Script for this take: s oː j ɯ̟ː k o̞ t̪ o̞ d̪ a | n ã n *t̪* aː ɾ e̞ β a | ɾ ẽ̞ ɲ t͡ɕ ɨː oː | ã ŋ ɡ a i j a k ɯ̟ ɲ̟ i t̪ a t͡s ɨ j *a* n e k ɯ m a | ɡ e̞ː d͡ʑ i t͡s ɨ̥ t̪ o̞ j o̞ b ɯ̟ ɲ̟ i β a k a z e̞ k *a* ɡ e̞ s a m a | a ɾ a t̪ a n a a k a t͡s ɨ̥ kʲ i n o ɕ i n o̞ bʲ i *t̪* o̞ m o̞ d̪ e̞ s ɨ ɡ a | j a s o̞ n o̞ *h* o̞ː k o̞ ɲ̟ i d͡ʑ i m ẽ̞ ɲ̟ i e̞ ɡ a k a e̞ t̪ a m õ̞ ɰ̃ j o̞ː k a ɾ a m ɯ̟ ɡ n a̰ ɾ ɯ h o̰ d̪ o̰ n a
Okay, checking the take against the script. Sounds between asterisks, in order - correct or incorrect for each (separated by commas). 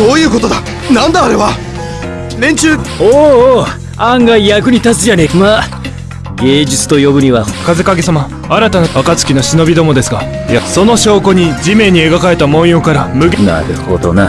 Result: incorrect, correct, correct, incorrect, incorrect